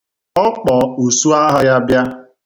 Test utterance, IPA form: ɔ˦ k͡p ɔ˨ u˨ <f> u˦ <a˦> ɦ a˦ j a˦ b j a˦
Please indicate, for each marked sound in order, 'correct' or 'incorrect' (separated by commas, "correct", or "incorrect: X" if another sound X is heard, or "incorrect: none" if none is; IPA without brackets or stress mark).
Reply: incorrect: s, correct